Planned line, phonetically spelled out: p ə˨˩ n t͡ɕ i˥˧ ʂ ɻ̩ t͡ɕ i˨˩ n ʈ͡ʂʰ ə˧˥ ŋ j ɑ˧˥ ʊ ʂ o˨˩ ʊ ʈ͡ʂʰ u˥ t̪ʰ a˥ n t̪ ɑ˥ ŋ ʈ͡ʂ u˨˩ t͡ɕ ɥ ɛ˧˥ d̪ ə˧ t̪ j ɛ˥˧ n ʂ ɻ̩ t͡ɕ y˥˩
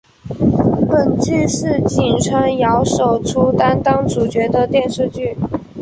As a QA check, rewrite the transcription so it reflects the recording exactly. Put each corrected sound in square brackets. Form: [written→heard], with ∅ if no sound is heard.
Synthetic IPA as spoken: p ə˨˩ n t͡ɕ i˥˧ ʂ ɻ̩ t͡ɕ i˨˩ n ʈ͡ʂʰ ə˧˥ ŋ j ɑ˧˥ ʊ ʂ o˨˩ ʊ ʈ͡ʂʰ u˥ [t̪ʰ→t̪] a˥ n t̪ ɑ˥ ŋ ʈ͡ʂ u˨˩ t͡ɕ ɥ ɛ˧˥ d̪ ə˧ t̪ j ɛ˥˧ n ʂ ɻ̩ t͡ɕ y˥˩

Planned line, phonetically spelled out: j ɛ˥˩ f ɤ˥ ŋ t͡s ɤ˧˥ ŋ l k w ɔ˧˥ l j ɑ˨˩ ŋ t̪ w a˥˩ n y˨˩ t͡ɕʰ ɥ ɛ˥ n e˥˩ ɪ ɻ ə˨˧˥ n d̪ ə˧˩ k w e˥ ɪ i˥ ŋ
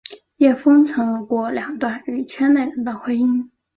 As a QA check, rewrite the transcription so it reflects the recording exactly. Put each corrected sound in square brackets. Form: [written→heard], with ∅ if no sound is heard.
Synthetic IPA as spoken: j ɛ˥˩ f ɤ˥ ŋ [t͡s→t͡sʰ] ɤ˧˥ ŋ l k w [ɔ˧˥→ɔ˥˩] l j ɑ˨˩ ŋ t̪ w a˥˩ n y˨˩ t͡ɕʰ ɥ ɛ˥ n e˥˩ ɪ ɻ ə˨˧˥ n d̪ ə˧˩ [k→x] w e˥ ɪ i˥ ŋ

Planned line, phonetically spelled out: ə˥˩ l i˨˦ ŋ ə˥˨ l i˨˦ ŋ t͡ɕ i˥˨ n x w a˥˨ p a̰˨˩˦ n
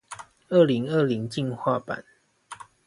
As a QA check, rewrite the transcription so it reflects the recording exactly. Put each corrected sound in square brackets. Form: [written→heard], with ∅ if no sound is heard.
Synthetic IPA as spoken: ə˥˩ l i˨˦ ŋ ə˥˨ l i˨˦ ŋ t͡ɕ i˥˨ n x w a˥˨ p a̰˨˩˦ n

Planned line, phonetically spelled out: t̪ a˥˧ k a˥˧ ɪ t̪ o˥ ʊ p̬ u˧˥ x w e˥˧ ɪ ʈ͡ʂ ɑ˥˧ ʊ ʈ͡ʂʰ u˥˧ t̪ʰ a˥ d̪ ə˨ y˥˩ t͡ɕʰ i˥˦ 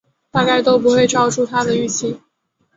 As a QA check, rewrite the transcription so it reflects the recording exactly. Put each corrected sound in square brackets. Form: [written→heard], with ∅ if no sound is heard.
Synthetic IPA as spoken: t̪ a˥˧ k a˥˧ ɪ t̪ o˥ ʊ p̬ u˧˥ x w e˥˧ ɪ ʈ͡ʂ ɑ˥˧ ʊ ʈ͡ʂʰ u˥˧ t̪ʰ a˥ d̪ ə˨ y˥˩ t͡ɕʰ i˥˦

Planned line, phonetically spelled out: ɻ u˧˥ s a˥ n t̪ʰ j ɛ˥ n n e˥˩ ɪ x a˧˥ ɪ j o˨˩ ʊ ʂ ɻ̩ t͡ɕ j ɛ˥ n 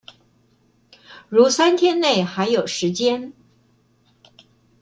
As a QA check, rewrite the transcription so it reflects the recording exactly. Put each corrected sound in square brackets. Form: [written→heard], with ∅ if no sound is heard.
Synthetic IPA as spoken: ɻ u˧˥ s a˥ n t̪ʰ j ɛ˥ n n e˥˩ ɪ x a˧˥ ɪ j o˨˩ ʊ ʂ ɻ̩ t͡ɕ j ɛ˥ n

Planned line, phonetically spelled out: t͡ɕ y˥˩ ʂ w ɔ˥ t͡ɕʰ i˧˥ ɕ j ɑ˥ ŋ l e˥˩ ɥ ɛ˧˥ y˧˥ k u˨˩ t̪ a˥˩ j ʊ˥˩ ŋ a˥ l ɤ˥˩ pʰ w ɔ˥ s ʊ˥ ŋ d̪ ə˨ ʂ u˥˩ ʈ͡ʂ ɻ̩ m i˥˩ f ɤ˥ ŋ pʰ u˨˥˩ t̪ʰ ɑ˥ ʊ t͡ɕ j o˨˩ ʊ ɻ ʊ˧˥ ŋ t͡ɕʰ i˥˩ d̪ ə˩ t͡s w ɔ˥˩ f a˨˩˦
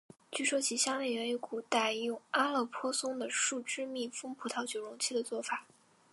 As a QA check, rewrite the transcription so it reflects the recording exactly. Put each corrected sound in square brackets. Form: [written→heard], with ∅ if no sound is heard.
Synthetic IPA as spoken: t͡ɕ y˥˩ ʂ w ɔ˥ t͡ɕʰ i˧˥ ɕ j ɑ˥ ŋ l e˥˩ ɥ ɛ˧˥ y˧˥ k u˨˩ t̪ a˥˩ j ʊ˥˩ ŋ a˥ l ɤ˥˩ pʰ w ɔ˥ s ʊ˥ ŋ d̪ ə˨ ʂ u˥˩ ʈ͡ʂ ɻ̩ m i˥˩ f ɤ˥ ŋ pʰ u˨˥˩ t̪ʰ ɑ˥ ʊ t͡ɕ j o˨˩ ʊ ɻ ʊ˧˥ ŋ t͡ɕʰ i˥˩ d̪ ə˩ t͡s w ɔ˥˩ f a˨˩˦

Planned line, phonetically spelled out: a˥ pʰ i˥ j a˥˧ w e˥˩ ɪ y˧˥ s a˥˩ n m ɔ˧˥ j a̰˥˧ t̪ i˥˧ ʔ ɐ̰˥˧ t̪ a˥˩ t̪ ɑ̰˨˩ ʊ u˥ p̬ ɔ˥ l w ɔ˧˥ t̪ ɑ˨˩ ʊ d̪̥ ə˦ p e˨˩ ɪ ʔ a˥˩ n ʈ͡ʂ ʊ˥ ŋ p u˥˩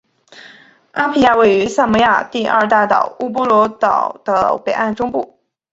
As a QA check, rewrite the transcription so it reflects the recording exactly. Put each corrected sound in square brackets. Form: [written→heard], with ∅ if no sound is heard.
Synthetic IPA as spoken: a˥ pʰ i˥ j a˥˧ w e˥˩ ɪ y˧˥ s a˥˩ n m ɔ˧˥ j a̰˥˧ t̪ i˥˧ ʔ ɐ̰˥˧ t̪ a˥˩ t̪ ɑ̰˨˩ ʊ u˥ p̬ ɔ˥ l w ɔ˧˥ t̪ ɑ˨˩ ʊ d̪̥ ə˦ p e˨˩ ɪ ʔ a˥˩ n ʈ͡ʂ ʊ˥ ŋ p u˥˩

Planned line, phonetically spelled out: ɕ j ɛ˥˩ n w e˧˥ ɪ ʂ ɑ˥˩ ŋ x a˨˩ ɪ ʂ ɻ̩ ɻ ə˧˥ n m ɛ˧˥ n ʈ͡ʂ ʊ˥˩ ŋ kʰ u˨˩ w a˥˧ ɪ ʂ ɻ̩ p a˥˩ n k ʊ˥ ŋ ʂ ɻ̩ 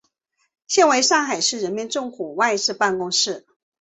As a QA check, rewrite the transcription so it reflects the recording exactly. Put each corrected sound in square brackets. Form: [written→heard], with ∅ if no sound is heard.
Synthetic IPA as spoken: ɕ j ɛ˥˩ n w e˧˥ ɪ ʂ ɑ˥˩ ŋ x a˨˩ ɪ ʂ ɻ̩ ɻ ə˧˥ n m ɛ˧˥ n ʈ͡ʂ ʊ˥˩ ŋ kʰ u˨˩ w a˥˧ ɪ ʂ ɻ̩ p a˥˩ n k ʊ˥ ŋ ʂ ɻ̩

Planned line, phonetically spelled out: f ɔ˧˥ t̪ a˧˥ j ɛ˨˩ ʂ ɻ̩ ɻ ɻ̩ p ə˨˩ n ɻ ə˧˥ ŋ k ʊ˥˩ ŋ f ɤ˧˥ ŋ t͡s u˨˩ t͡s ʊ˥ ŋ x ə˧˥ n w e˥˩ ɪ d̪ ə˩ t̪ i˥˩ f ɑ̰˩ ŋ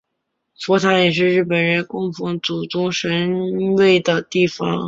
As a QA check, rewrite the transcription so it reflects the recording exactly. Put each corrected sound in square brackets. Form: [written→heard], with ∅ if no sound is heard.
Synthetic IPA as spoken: f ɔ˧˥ [t̪→t̪ʰ] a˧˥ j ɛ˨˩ ʂ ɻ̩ ɻ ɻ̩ p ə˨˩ n ɻ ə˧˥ [ŋ→n] k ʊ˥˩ ŋ f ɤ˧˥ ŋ t͡s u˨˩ t͡s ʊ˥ ŋ [x→ʂ] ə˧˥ n w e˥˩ ɪ d̪ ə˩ t̪ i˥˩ f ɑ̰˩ ŋ

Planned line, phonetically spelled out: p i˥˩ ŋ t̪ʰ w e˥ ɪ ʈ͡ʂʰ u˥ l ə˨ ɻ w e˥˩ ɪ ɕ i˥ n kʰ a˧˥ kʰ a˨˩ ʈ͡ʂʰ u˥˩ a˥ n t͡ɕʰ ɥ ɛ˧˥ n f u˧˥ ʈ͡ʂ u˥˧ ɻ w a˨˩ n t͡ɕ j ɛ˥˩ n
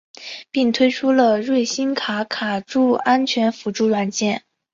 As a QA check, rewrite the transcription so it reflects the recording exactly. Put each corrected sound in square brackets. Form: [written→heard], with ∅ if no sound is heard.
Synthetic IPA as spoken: p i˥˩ ŋ t̪ʰ w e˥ ɪ ʈ͡ʂʰ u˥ l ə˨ ɻ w e˥˩ ɪ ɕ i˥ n kʰ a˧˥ kʰ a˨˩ [ʈ͡ʂʰ→ʈ͡ʂ] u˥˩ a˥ n t͡ɕʰ ɥ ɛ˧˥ n f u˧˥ ʈ͡ʂ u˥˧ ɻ w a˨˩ n t͡ɕ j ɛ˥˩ n

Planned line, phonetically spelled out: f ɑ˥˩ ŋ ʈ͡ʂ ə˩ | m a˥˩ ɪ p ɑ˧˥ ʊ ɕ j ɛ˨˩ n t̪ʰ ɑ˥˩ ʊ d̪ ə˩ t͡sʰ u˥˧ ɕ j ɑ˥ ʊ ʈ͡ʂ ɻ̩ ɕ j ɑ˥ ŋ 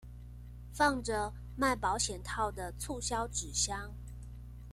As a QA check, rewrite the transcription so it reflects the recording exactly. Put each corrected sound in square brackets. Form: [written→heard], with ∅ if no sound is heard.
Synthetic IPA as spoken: f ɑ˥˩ ŋ ʈ͡ʂ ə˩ | m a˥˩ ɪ p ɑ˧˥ ʊ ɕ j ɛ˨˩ n t̪ʰ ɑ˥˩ ʊ d̪ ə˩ t͡sʰ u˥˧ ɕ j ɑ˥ ʊ ʈ͡ʂ ɻ̩ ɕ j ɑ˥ ŋ

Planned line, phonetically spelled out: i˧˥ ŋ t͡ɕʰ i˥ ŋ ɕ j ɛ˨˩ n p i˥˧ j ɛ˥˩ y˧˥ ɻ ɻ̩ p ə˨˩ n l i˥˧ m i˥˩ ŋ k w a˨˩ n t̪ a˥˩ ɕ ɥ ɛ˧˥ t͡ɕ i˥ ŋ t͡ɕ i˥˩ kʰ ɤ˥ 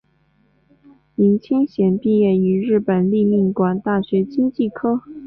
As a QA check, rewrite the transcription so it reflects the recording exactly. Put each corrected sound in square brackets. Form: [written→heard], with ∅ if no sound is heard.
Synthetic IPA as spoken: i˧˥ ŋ t͡ɕʰ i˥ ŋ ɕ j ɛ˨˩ n p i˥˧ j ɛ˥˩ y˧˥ ɻ ɻ̩ p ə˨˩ n l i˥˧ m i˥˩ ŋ k w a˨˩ n t̪ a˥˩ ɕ ɥ ɛ˧˥ t͡ɕ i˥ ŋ t͡ɕ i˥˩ kʰ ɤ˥

